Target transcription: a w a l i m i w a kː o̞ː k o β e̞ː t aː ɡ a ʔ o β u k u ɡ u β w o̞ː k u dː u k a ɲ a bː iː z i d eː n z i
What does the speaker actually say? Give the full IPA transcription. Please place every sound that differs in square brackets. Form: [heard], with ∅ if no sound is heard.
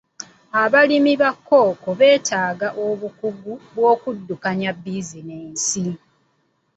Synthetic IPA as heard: a [β] a l i m i [β] a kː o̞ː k o β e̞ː t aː ɡ a ʔ o β u k u ɡ u β w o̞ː k u dː u k a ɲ a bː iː z i [n] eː n [s] i

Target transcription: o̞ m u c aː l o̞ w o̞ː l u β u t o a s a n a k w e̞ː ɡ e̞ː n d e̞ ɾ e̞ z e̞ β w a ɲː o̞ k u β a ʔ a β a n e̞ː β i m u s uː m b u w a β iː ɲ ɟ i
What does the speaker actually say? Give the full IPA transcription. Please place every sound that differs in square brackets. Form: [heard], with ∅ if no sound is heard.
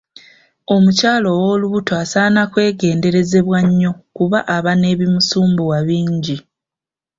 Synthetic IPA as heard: o̞ m u c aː l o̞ w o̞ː l u β u t o a s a n a k w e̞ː ɡ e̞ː n d e̞ ɾ e̞ z e̞ β w a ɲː o̞ k u β a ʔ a β a n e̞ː β i m u s uː m b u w a β iː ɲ ɟ i

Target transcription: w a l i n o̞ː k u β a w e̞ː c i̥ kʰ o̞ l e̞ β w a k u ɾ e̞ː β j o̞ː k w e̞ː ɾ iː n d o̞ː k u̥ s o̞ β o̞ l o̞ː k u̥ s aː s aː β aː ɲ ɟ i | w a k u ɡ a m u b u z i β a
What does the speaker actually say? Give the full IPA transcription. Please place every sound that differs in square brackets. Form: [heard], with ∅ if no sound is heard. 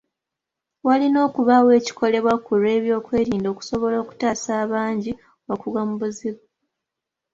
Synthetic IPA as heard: w a l i n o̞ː k u β a w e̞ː c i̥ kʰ o̞ l e̞ β w a k u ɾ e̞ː β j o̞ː k w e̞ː ɾ iː n d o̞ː k u̥ s o̞ β o̞ l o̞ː k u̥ [t] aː s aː β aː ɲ ɟ i | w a k u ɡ a m u b u z i β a

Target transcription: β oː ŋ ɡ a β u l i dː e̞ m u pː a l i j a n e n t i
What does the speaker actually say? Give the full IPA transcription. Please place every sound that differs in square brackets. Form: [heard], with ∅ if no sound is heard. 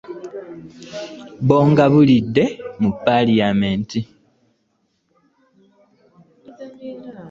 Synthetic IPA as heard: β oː ŋ ɡ a β u l i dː e̞ m u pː a l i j a [m] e n t i

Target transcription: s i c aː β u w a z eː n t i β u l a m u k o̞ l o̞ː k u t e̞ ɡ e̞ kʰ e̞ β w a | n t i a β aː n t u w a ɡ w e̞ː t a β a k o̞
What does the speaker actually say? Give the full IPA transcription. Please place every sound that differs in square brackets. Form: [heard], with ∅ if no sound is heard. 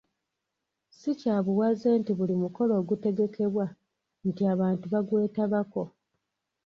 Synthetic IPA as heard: s i c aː β u w a z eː n t i β u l [i] m u k o̞ l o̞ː [ɡ] u t e̞ ɡ e̞ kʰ e̞ β w a | n t i a β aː n t u [β] a ɡ w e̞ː t a β a k o̞

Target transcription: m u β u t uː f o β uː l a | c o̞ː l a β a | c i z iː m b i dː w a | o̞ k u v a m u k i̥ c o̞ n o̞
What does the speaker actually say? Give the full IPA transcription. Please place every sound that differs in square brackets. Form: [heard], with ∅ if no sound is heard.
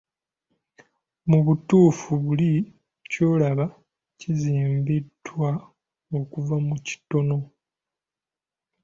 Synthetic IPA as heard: m u β u t uː f [u] β [u] l [i] | c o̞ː l a β a | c i z iː m b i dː w a | o̞ k u v a m u [c] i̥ [t] o̞ n o̞

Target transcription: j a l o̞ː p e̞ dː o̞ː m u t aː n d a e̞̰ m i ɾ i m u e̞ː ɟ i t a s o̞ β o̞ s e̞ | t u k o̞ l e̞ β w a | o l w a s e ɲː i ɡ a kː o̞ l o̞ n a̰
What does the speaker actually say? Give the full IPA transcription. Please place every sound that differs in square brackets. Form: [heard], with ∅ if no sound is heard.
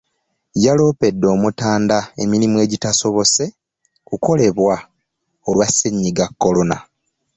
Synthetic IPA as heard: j a l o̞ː p e̞ dː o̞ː m u t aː n d a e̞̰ m i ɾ i m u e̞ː ɟ i t a s o̞ β o̞ s e̞ | [k] u k o̞ l e̞ β w a | o l w a s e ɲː i ɡ a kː o̞ l o̞ n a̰

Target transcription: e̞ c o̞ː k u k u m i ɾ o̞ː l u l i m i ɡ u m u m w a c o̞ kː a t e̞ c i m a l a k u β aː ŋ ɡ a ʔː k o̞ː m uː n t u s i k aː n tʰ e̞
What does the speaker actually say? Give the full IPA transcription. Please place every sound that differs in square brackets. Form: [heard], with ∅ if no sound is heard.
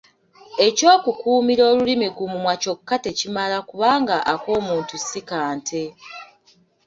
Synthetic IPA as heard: e̞ c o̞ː k u k [uː] m i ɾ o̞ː l u l i m i ɡ u m u m w a c o̞ kː a t e̞ c i m a l a k u β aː ŋ ɡ a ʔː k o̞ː m uː n t u s i k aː n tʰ e̞

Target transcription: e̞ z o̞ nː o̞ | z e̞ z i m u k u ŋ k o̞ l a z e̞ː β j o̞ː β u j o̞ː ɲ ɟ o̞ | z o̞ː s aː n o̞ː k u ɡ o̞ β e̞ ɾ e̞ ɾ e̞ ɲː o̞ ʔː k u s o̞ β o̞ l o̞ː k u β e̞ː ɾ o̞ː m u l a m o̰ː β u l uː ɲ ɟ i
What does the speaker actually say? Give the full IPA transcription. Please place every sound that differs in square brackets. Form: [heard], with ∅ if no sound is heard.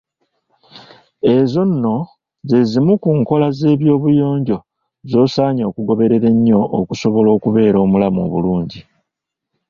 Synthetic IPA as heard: e̞ z o̞ nː o̞ | z e̞ z i m u k u ŋ k o̞ l a z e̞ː β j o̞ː β u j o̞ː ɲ ɟ o̞ | z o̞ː s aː [ɲ] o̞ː k u ɡ o̞ β e̞ ɾ e̞ ɾ e̞ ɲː o̞ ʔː k u s o̞ β o̞ l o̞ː k u β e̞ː ɾ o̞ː m u l a m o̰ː β u l uː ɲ ɟ i

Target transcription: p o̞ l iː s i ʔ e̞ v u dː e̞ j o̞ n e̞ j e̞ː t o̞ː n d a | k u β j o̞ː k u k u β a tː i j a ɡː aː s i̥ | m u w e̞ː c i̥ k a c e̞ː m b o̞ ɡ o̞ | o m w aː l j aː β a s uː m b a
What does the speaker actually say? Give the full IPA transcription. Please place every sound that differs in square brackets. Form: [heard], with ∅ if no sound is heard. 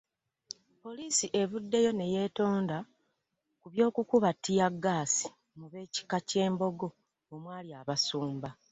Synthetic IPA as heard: p o̞ l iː s i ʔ e̞ [β] u dː e̞ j o̞ n e̞ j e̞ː t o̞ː n d a | k u β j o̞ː k u k u β a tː i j a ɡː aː s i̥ | m u [β] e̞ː c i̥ k a c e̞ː m b o̞ ɡ o̞ | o m w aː l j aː β a s uː m b a

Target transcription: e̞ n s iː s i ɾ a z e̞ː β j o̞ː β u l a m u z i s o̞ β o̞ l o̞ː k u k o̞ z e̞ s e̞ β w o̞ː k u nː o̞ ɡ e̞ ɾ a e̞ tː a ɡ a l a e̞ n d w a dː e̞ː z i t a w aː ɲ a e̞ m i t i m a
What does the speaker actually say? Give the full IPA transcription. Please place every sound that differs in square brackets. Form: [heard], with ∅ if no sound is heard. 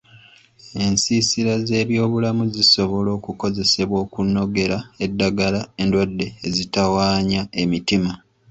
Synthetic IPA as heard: e̞ n s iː s i ɾ a z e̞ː β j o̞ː β u l a m u z i s o̞ β o̞ l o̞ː k u k o̞ z e̞ s e̞ β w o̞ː k u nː o̞ ɡ e̞ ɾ a e̞ [dː] a ɡ a l a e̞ n d w a dː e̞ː z i t a w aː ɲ a e̞ m i t i m a

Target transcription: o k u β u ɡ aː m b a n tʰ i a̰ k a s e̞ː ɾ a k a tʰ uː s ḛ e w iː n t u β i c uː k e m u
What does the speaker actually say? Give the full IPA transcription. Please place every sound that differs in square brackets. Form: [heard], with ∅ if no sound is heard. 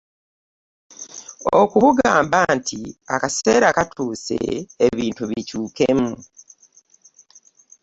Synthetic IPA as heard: o k u β u ɡ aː m b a n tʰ i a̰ k a s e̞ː ɾ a k a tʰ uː s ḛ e [β] iː n t u β i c uː k e m u

